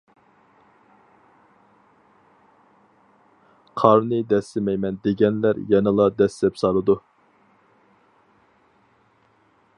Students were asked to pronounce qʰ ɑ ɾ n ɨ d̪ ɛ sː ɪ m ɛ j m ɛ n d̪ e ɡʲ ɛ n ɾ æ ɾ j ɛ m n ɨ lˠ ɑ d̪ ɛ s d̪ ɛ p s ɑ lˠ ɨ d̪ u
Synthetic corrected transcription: qʰ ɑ ɾ n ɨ d̪ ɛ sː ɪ m ɛ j m ɛ n d̪ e ɡʲ ɛ n l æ ɾ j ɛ n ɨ lˠ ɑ d̪ ɛ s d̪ ɛ p s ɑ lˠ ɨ d̪ u

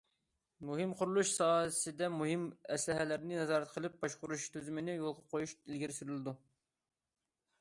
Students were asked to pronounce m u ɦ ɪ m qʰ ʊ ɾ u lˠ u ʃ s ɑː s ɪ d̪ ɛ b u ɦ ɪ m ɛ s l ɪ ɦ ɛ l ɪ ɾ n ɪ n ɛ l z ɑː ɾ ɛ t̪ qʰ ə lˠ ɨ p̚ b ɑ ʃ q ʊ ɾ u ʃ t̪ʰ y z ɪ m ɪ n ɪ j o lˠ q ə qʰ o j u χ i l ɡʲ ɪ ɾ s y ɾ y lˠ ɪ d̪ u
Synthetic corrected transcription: m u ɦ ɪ m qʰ ʊ ɾ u lˠ u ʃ s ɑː s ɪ d̪ ɛ m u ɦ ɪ m ɛ s l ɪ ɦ ɛ l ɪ ɾ n ɪ n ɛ z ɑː ɾ ɛ t̪ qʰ ə lˠ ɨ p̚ b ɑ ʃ q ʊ ɾ u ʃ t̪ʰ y z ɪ m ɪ n ɪ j o lˠ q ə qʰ o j u ʃ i l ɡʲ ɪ ɾ s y ɾ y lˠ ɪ d̪ u

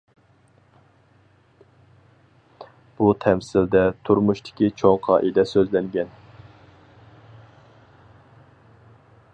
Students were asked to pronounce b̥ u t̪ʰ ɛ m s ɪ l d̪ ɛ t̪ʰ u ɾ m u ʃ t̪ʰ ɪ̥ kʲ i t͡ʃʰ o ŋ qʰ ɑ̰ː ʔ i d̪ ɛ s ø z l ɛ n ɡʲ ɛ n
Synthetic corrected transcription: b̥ u t̪ʰ ɛ m s ɪ l d̪ ɛ t̪ʰ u ɾ m u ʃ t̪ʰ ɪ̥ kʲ i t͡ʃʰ o ŋ qʰ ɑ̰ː ʔ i d̪ ɛ s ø z l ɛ ŋ ɡʲ ɛ n

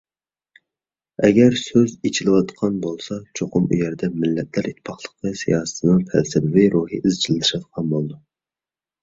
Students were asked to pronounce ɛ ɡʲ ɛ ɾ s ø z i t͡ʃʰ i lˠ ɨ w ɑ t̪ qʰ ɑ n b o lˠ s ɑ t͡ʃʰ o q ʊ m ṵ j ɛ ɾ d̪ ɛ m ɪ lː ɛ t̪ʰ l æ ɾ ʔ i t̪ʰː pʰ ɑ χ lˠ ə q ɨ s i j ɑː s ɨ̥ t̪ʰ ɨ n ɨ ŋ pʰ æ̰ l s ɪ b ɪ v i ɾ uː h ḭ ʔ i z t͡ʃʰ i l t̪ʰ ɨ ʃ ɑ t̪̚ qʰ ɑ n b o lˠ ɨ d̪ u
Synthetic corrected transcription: ɛ ɡʲ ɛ ɾ s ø z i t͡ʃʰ i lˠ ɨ w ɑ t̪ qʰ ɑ n b o lˠ s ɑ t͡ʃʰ o q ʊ m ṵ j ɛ ɾ d̪ ɛ m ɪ lː ɛ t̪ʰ l æ ɾ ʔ i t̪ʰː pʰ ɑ χ lˠ ə q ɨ s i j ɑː s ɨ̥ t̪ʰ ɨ n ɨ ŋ pʰ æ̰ l s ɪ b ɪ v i ɾ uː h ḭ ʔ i z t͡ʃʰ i l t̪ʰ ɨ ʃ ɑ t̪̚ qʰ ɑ n b o lˠ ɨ d̪ u

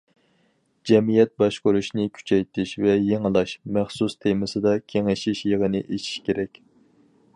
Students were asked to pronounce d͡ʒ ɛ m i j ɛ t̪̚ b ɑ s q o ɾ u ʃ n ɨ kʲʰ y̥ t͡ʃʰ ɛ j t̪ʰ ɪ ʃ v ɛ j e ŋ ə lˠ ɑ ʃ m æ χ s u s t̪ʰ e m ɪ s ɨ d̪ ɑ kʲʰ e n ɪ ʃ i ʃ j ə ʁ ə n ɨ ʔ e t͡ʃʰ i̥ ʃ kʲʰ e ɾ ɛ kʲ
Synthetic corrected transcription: d͡ʒ ɛ m i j ɛ t̪̚ b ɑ ʃ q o ɾ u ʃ n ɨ kʲʰ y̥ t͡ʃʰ ɛ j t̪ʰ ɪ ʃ v ɛ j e ŋ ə lˠ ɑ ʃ m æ χ s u s t̪ʰ e m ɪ s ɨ d̪ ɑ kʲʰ e ŋ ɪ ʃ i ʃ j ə ʁ ə n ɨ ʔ e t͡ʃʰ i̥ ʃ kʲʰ e ɾ ɛ kʲ

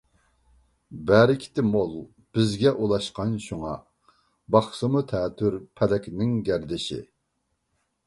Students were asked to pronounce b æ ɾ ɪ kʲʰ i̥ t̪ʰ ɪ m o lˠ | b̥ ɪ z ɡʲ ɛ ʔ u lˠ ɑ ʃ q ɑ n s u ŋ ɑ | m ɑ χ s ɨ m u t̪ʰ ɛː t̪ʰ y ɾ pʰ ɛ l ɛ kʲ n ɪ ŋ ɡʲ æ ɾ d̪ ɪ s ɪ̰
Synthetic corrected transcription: b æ ɾ ɪ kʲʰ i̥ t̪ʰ ɪ m o lˠ | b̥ ɪ z ɡʲ ɛ ʔ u lˠ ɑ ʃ q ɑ n ʃ u ŋ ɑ | b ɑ χ s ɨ m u t̪ʰ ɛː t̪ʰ y ɾ pʰ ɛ l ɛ kʲ n ɪ ŋ ɡʲ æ ɾ d̪ ɪ ʃ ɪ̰

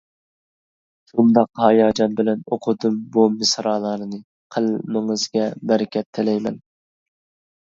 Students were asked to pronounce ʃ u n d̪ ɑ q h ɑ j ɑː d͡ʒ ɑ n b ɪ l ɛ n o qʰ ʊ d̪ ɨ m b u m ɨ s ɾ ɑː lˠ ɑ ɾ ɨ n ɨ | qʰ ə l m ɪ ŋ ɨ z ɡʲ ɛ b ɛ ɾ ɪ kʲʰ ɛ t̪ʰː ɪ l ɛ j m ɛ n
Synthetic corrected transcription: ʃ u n d̪ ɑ q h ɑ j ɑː d͡ʒ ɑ n b ɪ l ɛ n o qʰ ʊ d̪ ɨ m b u m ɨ s ɾ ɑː lˠ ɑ ɾ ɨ n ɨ | qʰ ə l m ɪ ŋ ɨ z ɡʲ ɛ b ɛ ɾ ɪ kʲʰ ɛ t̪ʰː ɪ l ɛ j m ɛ n

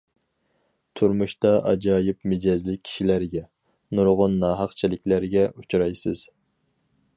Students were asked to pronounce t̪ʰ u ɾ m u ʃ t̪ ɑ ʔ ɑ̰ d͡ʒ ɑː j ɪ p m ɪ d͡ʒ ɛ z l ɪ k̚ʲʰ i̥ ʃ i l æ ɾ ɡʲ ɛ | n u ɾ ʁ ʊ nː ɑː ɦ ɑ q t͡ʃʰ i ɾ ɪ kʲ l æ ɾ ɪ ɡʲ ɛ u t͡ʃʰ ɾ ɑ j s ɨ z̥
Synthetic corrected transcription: t̪ʰ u ɾ m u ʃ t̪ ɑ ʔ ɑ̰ d͡ʒ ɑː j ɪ p m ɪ d͡ʒ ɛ z l ɪ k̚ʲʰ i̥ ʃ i l æ ɾ ɡʲ ɛ | n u ɾ ʁ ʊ nː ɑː ɦ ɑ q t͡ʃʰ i l ɪ kʲ l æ ɾ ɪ ɡʲ ɛ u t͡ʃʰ ɾ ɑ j s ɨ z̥

